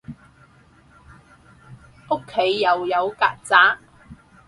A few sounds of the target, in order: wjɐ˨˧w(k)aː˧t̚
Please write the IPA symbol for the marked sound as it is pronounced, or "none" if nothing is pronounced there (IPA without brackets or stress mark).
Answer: k